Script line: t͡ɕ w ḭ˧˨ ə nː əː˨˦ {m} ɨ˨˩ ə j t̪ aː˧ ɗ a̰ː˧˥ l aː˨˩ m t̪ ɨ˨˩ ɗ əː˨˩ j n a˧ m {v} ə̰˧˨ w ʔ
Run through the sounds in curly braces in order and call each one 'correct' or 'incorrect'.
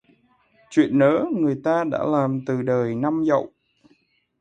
incorrect: ŋ, incorrect: z

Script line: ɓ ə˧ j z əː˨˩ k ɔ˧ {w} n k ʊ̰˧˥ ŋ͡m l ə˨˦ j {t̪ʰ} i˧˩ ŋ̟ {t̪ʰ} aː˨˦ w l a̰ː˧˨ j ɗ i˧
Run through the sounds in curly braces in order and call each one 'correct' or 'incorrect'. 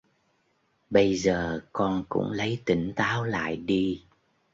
incorrect: none, incorrect: t̪, incorrect: t̪

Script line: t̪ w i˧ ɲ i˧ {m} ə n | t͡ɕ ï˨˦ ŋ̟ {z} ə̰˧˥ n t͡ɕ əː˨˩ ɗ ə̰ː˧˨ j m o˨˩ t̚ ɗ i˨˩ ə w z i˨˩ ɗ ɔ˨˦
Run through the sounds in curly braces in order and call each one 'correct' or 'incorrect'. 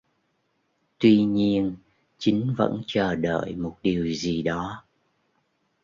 incorrect: none, incorrect: v

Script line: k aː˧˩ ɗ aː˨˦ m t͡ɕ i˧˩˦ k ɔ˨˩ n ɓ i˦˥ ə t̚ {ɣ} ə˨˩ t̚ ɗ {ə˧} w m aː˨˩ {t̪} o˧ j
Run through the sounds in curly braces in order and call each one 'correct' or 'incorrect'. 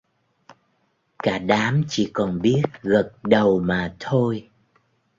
correct, incorrect: ə˨˩, incorrect: t̪ʰ

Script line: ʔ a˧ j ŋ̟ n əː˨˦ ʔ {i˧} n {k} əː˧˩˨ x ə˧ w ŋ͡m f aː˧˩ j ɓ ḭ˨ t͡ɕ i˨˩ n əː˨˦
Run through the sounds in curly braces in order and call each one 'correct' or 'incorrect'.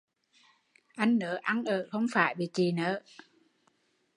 incorrect: a˧, incorrect: ʔ

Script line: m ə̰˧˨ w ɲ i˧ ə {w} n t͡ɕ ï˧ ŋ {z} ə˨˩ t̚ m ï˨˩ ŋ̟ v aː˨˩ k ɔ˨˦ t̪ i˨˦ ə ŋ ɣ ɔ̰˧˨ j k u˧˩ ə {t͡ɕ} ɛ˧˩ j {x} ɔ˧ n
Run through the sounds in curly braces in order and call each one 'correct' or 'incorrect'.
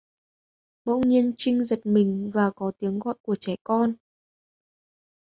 incorrect: none, correct, correct, incorrect: k

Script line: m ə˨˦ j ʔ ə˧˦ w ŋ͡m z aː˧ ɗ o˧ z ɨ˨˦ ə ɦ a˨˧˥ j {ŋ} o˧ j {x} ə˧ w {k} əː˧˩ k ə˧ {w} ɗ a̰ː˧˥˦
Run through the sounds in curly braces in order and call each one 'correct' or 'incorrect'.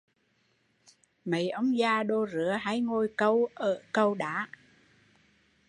correct, incorrect: k, incorrect: ʔ, correct

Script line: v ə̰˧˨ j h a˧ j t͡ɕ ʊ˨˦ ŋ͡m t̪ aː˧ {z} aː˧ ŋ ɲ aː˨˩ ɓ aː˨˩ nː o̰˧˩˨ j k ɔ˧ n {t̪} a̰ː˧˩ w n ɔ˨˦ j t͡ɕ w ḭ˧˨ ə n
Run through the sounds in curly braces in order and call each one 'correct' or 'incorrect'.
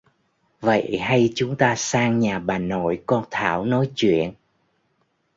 incorrect: s, incorrect: t̪ʰ

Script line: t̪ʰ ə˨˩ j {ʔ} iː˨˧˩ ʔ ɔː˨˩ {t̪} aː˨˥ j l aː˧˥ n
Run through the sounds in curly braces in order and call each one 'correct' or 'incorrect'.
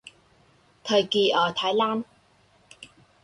incorrect: k, incorrect: t̪ʰ

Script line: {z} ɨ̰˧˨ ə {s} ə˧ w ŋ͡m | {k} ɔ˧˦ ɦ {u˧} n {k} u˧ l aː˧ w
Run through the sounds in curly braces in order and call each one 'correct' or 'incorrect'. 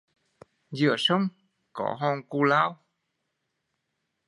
correct, correct, correct, incorrect: ɔ˧, correct

